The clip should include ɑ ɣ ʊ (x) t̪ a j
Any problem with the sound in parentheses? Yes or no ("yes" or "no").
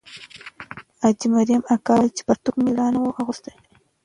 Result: yes